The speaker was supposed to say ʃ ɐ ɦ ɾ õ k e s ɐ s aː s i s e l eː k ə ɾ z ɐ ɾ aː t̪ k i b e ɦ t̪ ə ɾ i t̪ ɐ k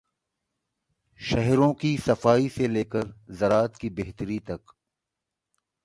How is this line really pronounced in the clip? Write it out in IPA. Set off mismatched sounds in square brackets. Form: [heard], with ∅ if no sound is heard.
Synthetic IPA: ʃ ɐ ɦ ɾ õ k [i] s ɐ [f] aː [∅] i s e l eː k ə ɾ z ɐ ɾ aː t̪ k i b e ɦ t̪ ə ɾ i t̪ ɐ k